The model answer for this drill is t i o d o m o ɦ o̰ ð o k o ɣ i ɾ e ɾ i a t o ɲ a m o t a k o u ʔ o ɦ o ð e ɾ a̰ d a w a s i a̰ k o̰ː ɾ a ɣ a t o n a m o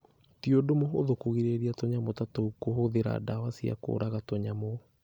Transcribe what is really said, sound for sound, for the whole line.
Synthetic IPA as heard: t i o d o m o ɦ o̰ ð o k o ɣ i ɾ e ɾ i a t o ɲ a m o t a t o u k o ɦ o ð e ɾ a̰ d a w a s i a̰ k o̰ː ɾ a ɣ a t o ɲ a m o